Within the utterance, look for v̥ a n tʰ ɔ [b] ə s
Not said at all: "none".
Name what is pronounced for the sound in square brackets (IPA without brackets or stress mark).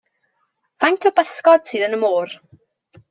b